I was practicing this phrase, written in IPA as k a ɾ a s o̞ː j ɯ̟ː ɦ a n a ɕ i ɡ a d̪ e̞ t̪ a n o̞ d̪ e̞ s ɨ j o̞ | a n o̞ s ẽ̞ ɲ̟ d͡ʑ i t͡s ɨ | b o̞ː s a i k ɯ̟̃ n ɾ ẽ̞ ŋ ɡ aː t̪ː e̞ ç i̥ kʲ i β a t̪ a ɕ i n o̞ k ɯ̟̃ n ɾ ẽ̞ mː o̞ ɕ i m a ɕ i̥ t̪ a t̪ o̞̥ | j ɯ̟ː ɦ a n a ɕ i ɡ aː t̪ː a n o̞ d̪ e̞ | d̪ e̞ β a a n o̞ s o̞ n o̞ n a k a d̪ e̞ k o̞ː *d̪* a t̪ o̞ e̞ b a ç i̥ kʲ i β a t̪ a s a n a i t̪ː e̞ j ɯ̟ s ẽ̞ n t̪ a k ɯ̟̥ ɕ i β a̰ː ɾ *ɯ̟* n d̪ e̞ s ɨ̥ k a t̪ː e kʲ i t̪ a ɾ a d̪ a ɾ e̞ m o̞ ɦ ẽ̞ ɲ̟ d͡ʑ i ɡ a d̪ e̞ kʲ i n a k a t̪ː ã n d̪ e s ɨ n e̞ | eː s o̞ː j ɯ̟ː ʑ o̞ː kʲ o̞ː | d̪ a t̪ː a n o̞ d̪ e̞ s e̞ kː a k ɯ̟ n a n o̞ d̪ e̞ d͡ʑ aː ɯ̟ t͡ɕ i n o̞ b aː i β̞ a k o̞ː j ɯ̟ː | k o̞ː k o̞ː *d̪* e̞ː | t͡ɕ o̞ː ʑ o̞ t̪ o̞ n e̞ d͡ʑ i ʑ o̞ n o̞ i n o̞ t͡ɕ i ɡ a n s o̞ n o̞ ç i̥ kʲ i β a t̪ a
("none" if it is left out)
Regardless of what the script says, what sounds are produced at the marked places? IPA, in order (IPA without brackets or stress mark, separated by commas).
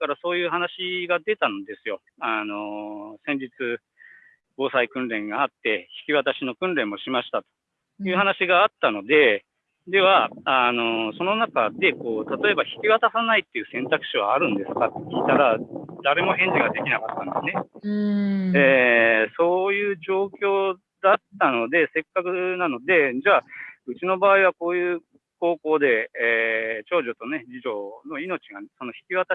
t̪, ɯ̟̃, d̪